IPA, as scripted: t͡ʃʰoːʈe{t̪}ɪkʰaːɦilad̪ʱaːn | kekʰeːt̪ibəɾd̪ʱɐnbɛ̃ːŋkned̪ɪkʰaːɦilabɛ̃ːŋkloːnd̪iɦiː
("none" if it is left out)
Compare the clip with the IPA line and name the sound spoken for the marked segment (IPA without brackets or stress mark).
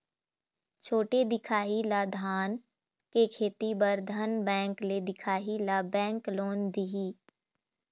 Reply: d̪